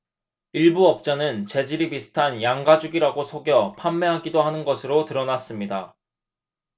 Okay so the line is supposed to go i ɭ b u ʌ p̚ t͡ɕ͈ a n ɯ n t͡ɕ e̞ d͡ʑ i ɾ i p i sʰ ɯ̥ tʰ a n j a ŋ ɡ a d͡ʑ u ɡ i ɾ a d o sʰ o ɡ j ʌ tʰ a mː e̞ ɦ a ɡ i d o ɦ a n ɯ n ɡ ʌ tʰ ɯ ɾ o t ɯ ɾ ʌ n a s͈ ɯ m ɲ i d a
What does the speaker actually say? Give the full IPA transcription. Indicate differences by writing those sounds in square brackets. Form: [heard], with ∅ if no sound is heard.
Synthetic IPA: i ɭ b u ʌ p̚ t͡ɕ͈ a n ɯ n t͡ɕ e̞ d͡ʑ i ɾ i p i sʰ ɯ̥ tʰ a n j a ŋ ɡ a d͡ʑ u ɡ i ɾ a [ɡ] o sʰ o ɡ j ʌ [pʰ] a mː e̞ ɦ a ɡ i d o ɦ a n ɯ n ɡ ʌ [sʰ] ɯ ɾ o t ɯ ɾ ʌ n a s͈ ɯ m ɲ i d a

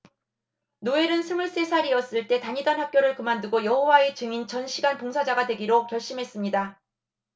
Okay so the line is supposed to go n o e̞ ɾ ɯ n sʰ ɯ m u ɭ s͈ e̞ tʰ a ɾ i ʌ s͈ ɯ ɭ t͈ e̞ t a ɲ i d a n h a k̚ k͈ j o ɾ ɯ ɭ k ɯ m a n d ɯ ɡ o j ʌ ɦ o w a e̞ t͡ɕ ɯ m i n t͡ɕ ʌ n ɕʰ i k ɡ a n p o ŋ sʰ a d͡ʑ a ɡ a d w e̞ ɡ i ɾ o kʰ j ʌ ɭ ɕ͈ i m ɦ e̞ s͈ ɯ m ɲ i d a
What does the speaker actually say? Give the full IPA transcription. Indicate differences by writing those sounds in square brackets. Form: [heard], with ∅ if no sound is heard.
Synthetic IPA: n o e̞ ɾ ɯ n sʰ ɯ m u ɭ s͈ e̞ [sʰ] a ɾ i ʌ s͈ ɯ ɭ t͈ e̞ t a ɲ i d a n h a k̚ k͈ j o ɾ ɯ ɭ k ɯ m a n d ɯ ɡ o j ʌ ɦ o w a e̞ t͡ɕ ɯ [ŋ] i n t͡ɕ ʌ n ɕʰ i [∅] ɡ a n p o ŋ sʰ a d͡ʑ a ɡ a d w e̞ ɡ i ɾ o [k] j ʌ ɭ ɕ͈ i m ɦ e̞ s͈ ɯ m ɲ i d a

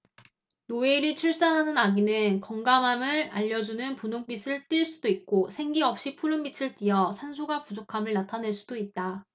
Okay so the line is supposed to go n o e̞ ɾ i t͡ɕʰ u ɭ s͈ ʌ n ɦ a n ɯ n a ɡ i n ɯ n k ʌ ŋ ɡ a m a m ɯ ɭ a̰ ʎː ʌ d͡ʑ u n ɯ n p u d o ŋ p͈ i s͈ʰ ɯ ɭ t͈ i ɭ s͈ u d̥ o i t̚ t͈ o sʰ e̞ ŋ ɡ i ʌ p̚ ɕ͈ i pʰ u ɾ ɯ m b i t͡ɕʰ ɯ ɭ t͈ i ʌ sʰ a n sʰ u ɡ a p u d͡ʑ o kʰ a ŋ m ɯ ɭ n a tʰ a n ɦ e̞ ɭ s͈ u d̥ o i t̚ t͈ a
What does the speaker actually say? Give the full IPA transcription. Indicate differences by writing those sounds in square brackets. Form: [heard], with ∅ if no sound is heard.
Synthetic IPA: n o e̞ ɾ i t͡ɕʰ u ɭ s͈ [a] n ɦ a n ɯ n a ɡ i n ɯ n k ʌ ŋ ɡ a m a m ɯ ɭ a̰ ʎː ʌ d͡ʑ u n ɯ n p u [n] o ŋ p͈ i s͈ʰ ɯ ɭ t͈ i ɭ s͈ u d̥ o i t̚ [k͈] o sʰ e̞ ŋ ɡ i ʌ p̚ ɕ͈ i pʰ u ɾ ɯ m b i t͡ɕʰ ɯ ɭ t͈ i ʌ sʰ a n sʰ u ɡ a p u d͡ʑ o kʰ a [∅] m ɯ ɭ n a tʰ a n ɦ e̞ ɭ s͈ u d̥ o i t̚ t͈ a

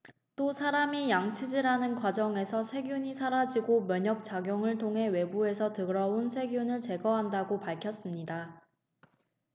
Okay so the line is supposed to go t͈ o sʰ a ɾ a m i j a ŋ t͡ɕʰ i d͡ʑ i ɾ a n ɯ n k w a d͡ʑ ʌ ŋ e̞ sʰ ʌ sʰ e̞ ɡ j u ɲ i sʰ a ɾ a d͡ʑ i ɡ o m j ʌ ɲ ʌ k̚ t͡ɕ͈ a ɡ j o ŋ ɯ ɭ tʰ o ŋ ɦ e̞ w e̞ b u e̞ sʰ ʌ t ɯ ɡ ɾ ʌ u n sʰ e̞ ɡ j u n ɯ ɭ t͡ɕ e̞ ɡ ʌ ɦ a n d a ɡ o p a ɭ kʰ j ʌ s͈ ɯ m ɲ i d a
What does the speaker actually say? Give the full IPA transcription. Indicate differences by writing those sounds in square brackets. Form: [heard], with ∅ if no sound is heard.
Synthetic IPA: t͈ o sʰ a ɾ a m i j a ŋ t͡ɕʰ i d͡ʑ i ɾ a n ɯ n k w a d͡ʑ ʌ ŋ e̞ sʰ ʌ sʰ e̞ ɡ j u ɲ i sʰ a ɾ a d͡ʑ i ɡ o m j ʌ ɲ ʌ k̚ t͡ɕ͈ a ɡ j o ŋ ɯ ɭ tʰ o ŋ ɦ e̞ w e̞ b u e̞ sʰ ʌ t ɯ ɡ ɾ ʌ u n sʰ e̞ ɡ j u n ɯ ɭ t͡ɕ e̞ ɡ ʌ ɦ a n d a ɡ o p a ɭ kʰ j ʌ s͈ ɯ m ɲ i d a

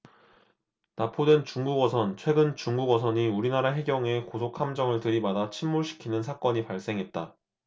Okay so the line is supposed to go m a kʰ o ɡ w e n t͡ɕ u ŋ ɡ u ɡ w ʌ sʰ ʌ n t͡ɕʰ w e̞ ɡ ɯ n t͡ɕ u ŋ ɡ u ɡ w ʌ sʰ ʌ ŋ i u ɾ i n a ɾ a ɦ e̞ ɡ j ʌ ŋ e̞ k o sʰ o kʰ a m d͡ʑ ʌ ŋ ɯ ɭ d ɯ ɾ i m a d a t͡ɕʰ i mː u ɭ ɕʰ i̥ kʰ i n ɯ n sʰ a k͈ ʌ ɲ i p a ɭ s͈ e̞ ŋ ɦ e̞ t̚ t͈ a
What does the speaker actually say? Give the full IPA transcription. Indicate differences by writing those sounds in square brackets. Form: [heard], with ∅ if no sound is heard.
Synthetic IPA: [n] a [pʰ] o [d] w e n t͡ɕ u ŋ ɡ u ɡ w ʌ sʰ ʌ n t͡ɕʰ w e̞ ɡ ɯ n t͡ɕ u ŋ ɡ u ɡ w ʌ sʰ ʌ [ɲ] i u ɾ i n a ɾ a ɦ e̞ ɡ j ʌ ŋ e̞ k o sʰ o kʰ a m d͡ʑ ʌ ŋ ɯ ɭ [t] ɯ ɾ i m a d a t͡ɕʰ i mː u ɭ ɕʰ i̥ kʰ i n ɯ n sʰ a k͈ ʌ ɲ i p a ɭ s͈ e̞ ŋ ɦ e̞ t̚ t͈ a

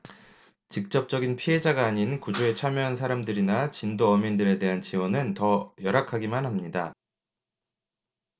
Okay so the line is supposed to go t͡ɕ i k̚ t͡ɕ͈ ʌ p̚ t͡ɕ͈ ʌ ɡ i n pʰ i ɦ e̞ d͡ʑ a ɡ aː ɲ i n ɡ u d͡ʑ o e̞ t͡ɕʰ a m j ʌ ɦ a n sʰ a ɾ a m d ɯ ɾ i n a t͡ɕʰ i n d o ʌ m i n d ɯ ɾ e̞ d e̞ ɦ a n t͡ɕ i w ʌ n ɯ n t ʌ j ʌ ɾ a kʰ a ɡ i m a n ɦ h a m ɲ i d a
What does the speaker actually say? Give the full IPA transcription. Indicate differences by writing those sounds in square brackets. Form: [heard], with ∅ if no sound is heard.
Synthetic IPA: t͡ɕ i k̚ t͡ɕ͈ ʌ p̚ t͡ɕ͈ ʌ ɡ i n pʰ i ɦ e̞ d͡ʑ a ɡ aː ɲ i n [k] u d͡ʑ o e̞ t͡ɕʰ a m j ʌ ɦ a n sʰ a ɾ a m d ɯ ɾ i n a [t͡ɕ] i n d o ʌ m i n d ɯ ɾ e̞ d e̞ ɦ a n t͡ɕ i w ʌ n ɯ n t ʌ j ʌ ɾ a kʰ a ɡ i m a n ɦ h a m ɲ i d a

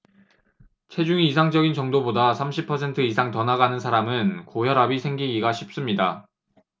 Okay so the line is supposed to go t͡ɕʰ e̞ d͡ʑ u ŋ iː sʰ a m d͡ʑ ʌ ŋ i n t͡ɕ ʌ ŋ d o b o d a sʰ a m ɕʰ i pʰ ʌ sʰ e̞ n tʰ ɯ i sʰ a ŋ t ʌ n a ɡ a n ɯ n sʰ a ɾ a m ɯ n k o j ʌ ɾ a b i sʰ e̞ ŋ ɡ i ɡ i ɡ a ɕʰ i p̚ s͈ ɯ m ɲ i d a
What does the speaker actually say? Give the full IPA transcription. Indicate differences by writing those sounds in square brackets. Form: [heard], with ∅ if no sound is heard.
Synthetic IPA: t͡ɕʰ e̞ d͡ʑ u ŋ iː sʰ a [ŋ] d͡ʑ ʌ [ɡ] i n t͡ɕ ʌ ŋ d o b o d a sʰ a m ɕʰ i pʰ ʌ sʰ e̞ n tʰ ɯ i sʰ a ŋ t ʌ n a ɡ a n ɯ n sʰ a ɾ a m ɯ n k o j ʌ ɾ a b i sʰ e̞ ŋ ɡ i ɡ i ɡ a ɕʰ i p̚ s͈ ɯ m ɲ i d a

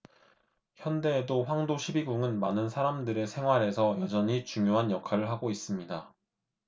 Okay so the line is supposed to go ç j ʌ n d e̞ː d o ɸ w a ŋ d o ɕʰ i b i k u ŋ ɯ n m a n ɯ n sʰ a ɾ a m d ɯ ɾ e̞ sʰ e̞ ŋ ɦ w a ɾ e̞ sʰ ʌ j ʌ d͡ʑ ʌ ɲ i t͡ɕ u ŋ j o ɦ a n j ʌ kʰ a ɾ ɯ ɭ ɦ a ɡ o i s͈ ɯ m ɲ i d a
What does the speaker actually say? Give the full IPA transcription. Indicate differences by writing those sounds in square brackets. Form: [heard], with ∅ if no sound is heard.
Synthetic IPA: ç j ʌ n d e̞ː d o ɸ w a ŋ d o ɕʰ i b i [ɡ] u ŋ ɯ n m a n ɯ n sʰ a ɾ a m d ɯ ɾ e̞ sʰ e̞ ŋ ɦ w a ɾ e̞ sʰ ʌ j ʌ d͡ʑ ʌ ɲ i t͡ɕ u ŋ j o ɦ a n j ʌ kʰ a ɾ ɯ ɭ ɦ a ɡ o i s͈ ɯ m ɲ i d a

